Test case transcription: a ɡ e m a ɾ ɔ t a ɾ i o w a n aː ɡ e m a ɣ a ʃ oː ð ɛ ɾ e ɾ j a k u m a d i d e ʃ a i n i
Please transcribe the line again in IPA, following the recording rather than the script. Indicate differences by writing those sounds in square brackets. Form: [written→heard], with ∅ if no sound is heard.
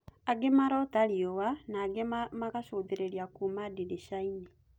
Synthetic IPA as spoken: a ɡ e m a ɾ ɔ t a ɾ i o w a n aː ɡ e m a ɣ a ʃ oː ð [ɛ→e] ɾ e ɾ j a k u m a d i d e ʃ a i n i